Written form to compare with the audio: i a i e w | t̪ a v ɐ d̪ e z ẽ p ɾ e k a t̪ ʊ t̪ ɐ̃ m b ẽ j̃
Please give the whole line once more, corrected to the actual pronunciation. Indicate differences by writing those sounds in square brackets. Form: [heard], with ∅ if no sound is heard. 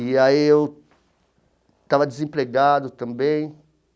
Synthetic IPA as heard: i a i e w | t̪ a v ɐ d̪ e z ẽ p ɾ e [ɡ] a [d̪] ʊ t̪ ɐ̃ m b ẽ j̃